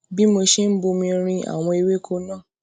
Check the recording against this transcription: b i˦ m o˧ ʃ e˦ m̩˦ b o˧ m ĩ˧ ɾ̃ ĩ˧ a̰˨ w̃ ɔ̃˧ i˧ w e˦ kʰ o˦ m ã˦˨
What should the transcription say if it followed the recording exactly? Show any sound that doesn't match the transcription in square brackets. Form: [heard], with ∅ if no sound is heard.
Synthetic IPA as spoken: b i˦ m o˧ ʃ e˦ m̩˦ b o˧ m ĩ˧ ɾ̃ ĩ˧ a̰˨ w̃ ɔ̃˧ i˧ w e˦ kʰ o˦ [n] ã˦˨